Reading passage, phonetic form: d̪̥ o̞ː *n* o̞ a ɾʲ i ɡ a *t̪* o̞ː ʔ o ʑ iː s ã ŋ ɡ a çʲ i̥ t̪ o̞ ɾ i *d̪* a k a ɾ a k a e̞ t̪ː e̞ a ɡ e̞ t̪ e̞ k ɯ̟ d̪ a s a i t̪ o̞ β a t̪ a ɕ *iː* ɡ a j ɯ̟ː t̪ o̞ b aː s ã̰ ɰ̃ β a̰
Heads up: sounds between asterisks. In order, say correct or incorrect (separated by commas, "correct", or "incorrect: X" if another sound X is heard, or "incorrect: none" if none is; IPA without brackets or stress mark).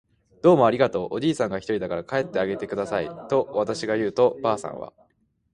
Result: incorrect: m, correct, correct, incorrect: i